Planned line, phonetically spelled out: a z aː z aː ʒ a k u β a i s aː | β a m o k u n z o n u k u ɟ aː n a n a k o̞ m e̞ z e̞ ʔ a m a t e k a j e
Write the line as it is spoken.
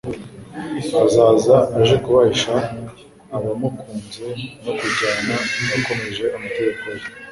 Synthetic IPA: a z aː z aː ʒ e k u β a i ʃ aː | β a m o k uː n z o n o k u ɟ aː n a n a k o̞ m e̞ ʒ e̞ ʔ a m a t e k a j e